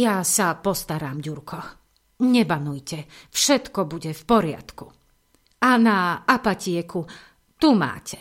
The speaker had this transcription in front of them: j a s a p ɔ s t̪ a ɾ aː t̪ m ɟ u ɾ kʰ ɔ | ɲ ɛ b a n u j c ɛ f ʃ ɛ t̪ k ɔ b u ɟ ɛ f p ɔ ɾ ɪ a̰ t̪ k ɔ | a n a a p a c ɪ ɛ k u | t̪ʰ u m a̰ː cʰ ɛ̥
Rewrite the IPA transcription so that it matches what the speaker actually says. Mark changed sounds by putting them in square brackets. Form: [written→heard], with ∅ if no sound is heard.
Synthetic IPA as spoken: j a s a p ɔ s t̪ a ɾ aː [t̪→∅] m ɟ u ɾ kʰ ɔ | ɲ ɛ b a n u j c ɛ f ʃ ɛ t̪ k ɔ b u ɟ ɛ f p ɔ ɾ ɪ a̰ t̪ k [ɔ→u] | a n a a p a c ɪ ɛ k u | [t̪ʰ→t̪] u m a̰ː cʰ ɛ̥